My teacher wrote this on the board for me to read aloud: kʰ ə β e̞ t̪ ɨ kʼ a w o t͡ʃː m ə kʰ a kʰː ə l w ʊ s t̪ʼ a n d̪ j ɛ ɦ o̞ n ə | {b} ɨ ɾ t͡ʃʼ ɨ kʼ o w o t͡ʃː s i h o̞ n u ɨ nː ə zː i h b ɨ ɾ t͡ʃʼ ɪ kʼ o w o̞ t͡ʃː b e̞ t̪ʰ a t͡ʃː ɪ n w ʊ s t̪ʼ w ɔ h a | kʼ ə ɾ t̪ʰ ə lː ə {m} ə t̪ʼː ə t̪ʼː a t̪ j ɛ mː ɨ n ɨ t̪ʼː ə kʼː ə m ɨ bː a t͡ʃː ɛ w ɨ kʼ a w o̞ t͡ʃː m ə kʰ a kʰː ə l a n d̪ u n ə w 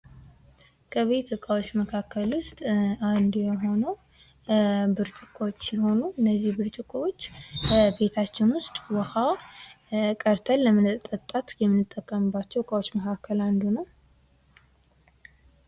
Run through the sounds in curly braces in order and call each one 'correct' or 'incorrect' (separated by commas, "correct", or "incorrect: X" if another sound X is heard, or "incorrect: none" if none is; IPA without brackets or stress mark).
correct, correct